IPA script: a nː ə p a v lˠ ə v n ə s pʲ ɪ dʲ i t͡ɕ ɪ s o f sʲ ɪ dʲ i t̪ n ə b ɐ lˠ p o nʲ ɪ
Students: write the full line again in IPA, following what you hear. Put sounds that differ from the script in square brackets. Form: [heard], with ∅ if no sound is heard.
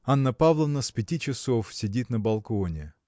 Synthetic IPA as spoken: a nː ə p a v lˠ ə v n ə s pʲ ɪ [tʲ] i t͡ɕ ɪ s o f sʲ ɪ dʲ i t̪ n ə b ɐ lˠ [k] o nʲ ɪ